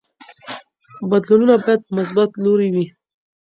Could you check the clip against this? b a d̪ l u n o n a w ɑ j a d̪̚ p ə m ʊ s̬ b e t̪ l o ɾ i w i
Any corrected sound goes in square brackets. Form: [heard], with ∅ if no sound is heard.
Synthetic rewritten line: b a d̪ l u n [u] n a [b] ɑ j a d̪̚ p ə m ʊ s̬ b [a] t̪ l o ɾ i w i